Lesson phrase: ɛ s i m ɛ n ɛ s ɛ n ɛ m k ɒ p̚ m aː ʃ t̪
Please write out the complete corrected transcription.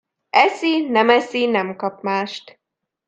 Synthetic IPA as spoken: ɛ s i n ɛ m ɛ s i n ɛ m k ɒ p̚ m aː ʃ t̪